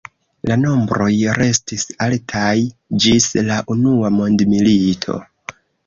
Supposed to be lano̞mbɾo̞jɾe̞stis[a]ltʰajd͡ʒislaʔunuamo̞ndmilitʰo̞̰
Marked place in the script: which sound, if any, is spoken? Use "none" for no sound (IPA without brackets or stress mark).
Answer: a